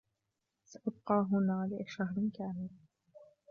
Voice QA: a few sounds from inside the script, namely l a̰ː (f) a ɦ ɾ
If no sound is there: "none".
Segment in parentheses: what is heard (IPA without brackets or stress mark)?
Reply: ʃ